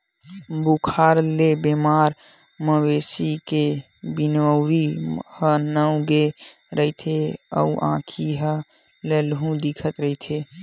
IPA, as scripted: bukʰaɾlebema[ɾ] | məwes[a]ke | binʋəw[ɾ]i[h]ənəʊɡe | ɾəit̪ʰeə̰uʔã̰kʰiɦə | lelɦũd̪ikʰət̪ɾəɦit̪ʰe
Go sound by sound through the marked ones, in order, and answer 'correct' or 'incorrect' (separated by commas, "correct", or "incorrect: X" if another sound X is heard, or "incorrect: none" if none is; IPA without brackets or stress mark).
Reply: correct, incorrect: i, correct, correct